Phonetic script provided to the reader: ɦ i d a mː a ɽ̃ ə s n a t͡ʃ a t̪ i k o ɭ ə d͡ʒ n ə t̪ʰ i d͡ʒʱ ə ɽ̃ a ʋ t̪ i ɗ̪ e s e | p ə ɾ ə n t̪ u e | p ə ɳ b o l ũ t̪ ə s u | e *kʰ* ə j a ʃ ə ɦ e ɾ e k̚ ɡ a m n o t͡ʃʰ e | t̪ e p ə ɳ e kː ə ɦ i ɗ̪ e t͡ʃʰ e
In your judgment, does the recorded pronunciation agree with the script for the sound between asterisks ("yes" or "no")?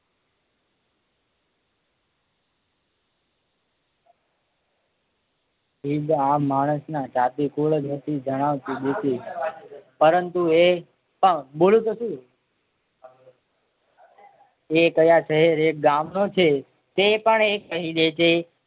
no